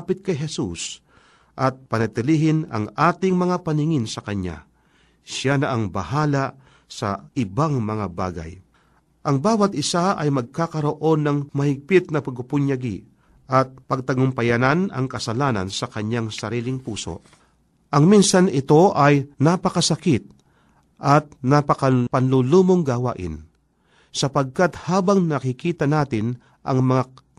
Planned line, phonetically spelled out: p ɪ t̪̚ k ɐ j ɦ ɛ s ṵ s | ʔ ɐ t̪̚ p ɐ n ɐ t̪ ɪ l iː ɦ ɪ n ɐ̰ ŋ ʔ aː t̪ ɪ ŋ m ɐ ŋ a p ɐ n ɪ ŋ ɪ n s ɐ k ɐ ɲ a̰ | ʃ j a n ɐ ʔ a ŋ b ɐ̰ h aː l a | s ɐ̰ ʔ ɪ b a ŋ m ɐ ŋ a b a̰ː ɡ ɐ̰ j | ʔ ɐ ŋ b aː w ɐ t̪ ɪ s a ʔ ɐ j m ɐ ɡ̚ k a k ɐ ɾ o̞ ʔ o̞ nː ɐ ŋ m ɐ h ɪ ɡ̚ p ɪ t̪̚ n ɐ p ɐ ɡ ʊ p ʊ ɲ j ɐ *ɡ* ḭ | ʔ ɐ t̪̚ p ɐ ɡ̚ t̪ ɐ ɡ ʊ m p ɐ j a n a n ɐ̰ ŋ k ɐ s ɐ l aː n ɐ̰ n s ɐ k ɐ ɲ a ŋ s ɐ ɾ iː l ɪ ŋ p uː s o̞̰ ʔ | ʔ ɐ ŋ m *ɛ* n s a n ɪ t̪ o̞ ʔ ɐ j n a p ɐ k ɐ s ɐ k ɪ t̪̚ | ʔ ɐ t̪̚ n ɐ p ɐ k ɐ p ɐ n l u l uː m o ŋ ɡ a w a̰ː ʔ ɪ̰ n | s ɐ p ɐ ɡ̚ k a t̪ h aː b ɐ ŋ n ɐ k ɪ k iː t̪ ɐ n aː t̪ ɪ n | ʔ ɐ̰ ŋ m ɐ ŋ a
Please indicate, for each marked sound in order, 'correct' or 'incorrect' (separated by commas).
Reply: correct, incorrect